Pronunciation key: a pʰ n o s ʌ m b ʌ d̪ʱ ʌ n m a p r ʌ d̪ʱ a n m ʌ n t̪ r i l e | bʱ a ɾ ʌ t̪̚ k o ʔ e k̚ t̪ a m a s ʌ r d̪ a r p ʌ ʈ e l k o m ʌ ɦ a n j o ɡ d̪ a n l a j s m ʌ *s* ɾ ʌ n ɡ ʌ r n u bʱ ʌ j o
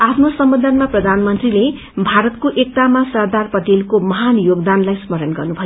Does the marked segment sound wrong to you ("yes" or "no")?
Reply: yes